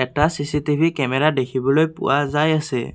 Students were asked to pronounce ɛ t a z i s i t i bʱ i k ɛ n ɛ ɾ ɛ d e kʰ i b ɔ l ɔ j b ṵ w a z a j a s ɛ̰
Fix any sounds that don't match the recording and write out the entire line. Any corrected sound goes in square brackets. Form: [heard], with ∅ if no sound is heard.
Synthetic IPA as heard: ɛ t a [s] i s i t i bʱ i k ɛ [m] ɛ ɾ [a] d e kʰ i b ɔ l [o] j [p] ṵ w a z a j a s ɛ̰